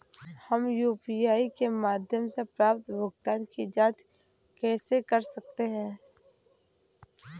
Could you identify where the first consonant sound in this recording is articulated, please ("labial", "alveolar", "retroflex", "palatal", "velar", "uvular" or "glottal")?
glottal